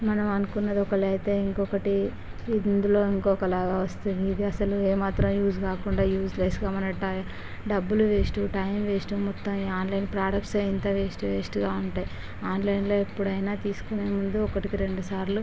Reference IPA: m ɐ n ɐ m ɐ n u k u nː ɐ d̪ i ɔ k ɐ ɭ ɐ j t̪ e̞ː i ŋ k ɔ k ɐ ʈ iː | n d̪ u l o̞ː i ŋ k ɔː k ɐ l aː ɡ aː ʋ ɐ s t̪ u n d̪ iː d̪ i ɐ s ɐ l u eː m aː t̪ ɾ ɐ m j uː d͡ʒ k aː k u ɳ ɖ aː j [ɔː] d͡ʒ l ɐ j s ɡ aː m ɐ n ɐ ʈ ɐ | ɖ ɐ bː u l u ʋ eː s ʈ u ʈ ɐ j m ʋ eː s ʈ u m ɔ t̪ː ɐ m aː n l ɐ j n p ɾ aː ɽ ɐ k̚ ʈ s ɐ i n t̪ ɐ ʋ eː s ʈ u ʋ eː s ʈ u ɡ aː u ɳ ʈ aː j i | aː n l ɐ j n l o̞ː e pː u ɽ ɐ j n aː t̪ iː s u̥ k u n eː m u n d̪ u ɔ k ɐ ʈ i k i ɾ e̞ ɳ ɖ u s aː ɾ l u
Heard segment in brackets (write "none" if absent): uː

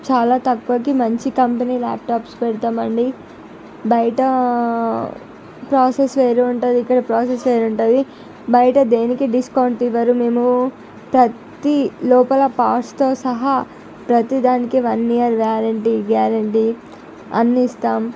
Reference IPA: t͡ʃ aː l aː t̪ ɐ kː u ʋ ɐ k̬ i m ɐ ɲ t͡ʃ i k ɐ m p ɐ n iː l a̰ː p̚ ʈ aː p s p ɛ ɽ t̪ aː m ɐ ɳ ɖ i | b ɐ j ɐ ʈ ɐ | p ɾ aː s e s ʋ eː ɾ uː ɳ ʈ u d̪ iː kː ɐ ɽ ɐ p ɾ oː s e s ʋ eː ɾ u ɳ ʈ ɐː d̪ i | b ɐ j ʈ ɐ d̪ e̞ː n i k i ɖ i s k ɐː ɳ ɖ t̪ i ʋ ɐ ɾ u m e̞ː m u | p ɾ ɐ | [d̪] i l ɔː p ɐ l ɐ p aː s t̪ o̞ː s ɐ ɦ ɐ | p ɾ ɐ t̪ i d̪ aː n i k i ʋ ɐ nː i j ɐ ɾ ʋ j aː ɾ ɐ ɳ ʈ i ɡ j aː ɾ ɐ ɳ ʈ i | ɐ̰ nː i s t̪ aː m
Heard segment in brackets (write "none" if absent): t̪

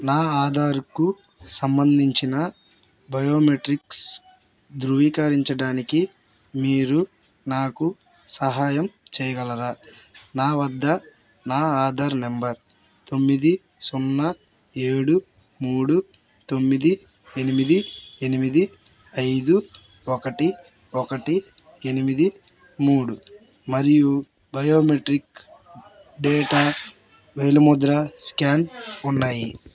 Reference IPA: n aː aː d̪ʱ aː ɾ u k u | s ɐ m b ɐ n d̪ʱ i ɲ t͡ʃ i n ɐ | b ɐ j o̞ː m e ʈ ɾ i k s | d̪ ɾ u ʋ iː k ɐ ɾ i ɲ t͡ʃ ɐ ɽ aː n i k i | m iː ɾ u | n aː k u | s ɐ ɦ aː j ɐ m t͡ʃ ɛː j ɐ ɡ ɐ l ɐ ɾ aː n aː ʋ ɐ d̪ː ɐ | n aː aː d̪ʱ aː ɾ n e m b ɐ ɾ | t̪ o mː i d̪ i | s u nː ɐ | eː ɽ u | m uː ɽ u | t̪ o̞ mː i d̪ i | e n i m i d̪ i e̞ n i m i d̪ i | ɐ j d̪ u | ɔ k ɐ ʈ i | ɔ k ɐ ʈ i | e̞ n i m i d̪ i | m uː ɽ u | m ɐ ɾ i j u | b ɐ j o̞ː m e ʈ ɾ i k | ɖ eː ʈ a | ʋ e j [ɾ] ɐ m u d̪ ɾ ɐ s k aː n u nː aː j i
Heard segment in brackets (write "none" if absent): l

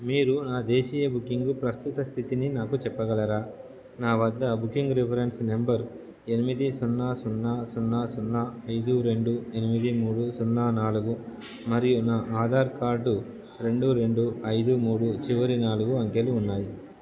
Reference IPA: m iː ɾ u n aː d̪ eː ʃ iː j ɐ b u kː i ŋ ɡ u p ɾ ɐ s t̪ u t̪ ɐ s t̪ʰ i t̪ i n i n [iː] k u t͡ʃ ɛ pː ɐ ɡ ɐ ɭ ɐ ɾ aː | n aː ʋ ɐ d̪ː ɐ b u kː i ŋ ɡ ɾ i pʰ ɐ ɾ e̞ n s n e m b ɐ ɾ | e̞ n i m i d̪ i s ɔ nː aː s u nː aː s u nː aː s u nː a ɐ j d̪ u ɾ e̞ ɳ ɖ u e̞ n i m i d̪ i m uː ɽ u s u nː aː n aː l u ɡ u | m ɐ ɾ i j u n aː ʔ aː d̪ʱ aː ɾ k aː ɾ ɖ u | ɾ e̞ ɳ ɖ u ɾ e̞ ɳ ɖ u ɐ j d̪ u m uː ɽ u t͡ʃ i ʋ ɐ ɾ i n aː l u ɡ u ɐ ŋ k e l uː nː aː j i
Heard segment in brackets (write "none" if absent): aː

